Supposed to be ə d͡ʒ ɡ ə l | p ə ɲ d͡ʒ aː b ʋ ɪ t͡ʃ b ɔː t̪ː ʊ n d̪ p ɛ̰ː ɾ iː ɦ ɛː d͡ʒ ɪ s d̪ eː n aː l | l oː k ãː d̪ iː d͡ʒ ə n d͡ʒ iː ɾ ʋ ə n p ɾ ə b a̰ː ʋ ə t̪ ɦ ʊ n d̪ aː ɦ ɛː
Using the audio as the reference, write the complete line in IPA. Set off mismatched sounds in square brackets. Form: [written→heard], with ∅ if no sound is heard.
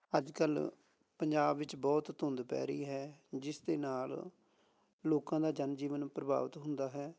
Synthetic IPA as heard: ə d͡ʒ [ɡ→k] ə l | p ə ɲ d͡ʒ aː b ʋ ɪ t͡ʃ b ɔː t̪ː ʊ n d̪ p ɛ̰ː ɾ iː ɦ ɛː d͡ʒ ɪ s d̪ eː n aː l | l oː k ãː d̪ [iː→aː] d͡ʒ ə n d͡ʒ iː [ɾ→∅] ʋ ə n p ɾ ə b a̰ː ʋ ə t̪ ɦ ʊ n d̪ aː ɦ ɛː